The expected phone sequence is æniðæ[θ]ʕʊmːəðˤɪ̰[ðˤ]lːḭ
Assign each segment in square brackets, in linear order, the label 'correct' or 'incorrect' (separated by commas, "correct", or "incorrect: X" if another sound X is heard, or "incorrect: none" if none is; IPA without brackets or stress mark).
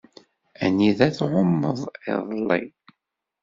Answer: correct, correct